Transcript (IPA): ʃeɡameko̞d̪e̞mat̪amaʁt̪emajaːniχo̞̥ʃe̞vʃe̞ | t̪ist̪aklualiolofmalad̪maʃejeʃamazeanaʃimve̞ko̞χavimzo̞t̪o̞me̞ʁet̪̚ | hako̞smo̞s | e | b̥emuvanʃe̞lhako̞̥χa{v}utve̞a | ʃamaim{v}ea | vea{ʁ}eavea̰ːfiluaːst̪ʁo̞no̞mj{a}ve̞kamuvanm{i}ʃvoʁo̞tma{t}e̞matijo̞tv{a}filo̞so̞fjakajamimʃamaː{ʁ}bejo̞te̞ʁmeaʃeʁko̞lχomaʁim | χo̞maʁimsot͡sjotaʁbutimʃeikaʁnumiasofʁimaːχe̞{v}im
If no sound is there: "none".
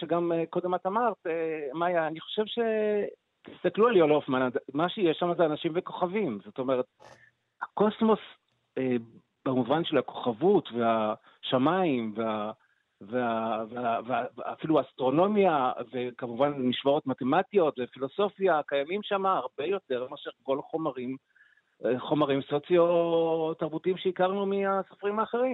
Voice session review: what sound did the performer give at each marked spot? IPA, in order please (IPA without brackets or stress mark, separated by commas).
v, v, v, a, i, t, e, ʁ, ʁ